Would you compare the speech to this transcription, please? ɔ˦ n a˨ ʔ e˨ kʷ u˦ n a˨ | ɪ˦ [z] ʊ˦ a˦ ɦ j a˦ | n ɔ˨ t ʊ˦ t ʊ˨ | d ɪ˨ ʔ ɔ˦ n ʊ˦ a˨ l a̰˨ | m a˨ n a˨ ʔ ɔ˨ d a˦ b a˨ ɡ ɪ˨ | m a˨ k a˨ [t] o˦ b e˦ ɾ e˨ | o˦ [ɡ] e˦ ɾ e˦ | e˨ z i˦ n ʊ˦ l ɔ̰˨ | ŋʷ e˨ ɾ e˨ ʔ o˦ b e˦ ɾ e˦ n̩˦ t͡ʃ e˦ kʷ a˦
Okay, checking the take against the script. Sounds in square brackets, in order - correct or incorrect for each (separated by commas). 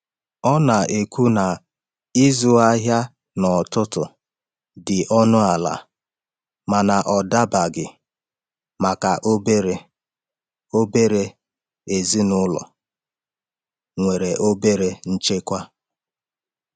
correct, incorrect, incorrect